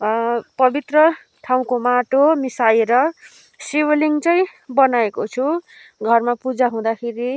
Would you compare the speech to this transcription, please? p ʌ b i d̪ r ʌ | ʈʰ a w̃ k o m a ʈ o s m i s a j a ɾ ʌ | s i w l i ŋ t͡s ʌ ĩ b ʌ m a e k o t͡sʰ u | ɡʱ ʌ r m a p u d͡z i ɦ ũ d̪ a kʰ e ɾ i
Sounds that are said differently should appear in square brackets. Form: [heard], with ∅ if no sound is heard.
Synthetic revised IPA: p ʌ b i [t̪] r ʌ | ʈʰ a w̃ k o m a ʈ o [∅] m i s a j [e] ɾ ʌ | s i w l i ŋ t͡s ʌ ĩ b ʌ [n] a e k o t͡sʰ u | ɡʱ ʌ r m a p u d͡z [a] ɦ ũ d̪ a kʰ e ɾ i

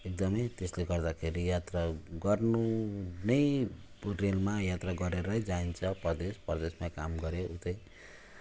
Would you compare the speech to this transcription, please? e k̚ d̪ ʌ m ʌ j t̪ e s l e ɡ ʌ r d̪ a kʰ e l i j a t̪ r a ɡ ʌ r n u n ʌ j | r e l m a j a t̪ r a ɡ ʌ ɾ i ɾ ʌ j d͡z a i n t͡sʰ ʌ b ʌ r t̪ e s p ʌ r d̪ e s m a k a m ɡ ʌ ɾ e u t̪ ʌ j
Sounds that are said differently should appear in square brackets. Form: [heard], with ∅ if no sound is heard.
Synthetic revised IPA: e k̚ d̪ ʌ m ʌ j t̪ e s l e ɡ ʌ r d̪ a kʰ e [ɾ] i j a t̪ r a ɡ ʌ r n u n ʌ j | r e l m a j a t̪ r a ɡ ʌ ɾ [e] ɾ ʌ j d͡z a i n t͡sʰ ʌ [p] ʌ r [d̪] e s p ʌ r d̪ e s m a k a m ɡ ʌ ɾ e u t̪ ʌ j

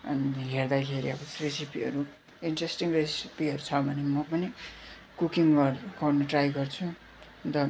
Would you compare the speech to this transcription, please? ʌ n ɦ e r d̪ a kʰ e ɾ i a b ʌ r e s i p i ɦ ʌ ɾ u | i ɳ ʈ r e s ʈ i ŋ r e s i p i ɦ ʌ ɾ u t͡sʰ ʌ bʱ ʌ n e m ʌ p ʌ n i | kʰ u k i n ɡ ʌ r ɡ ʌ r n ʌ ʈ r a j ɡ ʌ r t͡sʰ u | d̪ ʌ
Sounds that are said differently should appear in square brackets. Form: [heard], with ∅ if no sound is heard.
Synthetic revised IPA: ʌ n ɦ e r d̪ a kʰ e ɾ i [ʌ] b ʌ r e s i p i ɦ ʌ ɾ u | i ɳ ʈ r e s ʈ i ŋ r e s i p i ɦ ʌ ɾ u t͡sʰ ʌ bʱ ʌ n e m ʌ p ʌ n i | [k] u k i [ŋ] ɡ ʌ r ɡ ʌ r n ʌ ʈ r a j ɡ ʌ r t͡sʰ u | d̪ ʌ

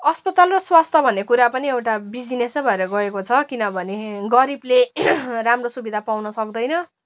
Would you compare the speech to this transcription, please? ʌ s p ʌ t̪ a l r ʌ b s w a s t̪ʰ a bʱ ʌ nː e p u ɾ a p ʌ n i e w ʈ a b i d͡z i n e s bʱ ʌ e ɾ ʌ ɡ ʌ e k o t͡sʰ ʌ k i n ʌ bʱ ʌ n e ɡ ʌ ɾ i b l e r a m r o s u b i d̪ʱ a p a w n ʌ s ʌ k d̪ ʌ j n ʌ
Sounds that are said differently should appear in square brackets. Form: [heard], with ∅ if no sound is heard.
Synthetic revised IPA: ʌ s p ʌ t̪ a l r ʌ [∅] s w a s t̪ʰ [ʌ] bʱ ʌ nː e [k] u ɾ a p ʌ n i e w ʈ a b i d͡z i n e s bʱ ʌ e ɾ ʌ ɡ ʌ e k o t͡sʰ ʌ k i n ʌ bʱ ʌ n e ɡ ʌ ɾ i b l e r a m r o s u b i d̪ʱ a p a w n ʌ s ʌ k d̪ ʌ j n ʌ

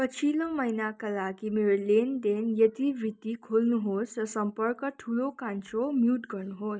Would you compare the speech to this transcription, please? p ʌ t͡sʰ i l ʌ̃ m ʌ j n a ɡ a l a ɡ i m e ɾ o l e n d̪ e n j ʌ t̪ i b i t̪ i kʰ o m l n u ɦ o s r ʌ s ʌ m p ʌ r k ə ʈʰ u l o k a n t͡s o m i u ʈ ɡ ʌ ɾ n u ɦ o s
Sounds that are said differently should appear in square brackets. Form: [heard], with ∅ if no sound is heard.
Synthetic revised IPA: p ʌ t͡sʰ i l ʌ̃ m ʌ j n a [k] a l a ɡ i m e ɾ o l e n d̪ e n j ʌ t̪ i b i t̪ i kʰ o [∅] l n u ɦ o s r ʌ s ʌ m p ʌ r k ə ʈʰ u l o k a n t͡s o m [j] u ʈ ɡ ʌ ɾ n u ɦ o s

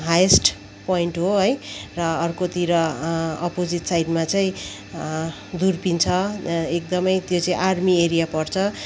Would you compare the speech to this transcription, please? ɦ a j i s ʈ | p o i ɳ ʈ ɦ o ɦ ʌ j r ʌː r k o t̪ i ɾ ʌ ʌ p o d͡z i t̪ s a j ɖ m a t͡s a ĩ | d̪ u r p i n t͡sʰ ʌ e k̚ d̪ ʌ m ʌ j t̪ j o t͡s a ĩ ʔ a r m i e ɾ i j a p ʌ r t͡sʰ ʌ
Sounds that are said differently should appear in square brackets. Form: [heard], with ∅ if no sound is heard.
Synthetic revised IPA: ɦ a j [e] s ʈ | p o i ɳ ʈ ɦ o ɦ ʌ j r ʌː r k o t̪ i ɾ ʌ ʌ p o d͡z i t̪ s a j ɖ m a t͡s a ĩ | d̪ u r p i n t͡sʰ ʌ e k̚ d̪ ʌ m ʌ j t̪ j o t͡s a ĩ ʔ a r m i e ɾ i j a p ʌ r t͡sʰ ʌ

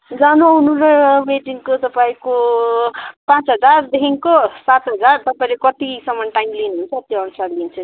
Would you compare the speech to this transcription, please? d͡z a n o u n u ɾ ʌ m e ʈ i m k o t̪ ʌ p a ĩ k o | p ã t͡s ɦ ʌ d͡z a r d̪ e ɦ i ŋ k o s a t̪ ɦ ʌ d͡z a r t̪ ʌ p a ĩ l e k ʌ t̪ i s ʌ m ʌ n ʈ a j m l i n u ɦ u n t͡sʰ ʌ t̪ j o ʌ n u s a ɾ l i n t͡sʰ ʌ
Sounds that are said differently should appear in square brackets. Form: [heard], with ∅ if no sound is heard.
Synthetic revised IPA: d͡z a n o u n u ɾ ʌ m e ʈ i [ŋ] k o t̪ ʌ p a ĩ k o | p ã t͡s ɦ ʌ d͡z a r d̪ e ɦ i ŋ k o s a t̪ ɦ ʌ d͡z a r t̪ ʌ p a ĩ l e k ʌ t̪ i s ʌ m ʌ n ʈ a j m l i n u ɦ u n t͡sʰ ʌ t̪ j o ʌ n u s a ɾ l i n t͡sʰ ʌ

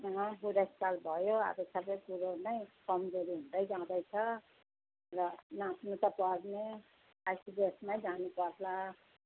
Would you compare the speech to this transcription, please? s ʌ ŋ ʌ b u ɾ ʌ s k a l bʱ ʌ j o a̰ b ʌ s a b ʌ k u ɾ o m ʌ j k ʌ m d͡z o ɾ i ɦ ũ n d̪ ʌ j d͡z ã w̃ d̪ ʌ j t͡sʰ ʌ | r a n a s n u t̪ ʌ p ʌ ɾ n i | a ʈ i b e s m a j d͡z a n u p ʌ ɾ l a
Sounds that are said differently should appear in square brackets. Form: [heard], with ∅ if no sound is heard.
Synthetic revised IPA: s ʌ ŋ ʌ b u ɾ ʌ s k a l bʱ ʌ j o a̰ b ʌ s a b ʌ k u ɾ o [n] ʌ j k ʌ m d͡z o ɾ i ɦ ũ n d̪ ʌ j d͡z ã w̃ d̪ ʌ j t͡sʰ ʌ | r [ʌ] n a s n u t̪ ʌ p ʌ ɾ n [e] | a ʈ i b e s m a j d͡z a n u p ʌ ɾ l a

